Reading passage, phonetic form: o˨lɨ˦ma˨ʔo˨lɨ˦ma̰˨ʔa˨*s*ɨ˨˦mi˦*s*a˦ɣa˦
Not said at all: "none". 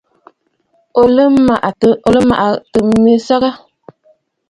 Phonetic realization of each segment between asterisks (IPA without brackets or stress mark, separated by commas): t, s